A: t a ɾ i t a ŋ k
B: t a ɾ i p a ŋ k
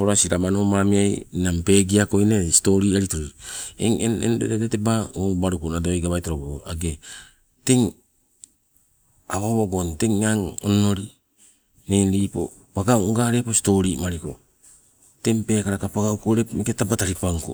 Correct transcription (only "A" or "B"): B